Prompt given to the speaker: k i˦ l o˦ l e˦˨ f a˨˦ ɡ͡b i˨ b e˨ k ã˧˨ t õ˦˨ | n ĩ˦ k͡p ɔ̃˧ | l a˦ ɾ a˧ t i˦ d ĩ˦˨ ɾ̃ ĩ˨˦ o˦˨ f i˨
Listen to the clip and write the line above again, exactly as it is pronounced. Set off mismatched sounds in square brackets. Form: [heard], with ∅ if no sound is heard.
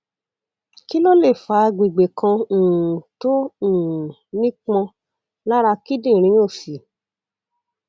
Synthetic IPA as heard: k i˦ l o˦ l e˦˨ f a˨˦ ɡ͡b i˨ [ɡ͡b] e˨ k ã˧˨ t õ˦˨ | n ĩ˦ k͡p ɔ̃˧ | l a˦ ɾ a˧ [k] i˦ d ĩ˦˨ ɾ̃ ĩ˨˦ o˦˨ f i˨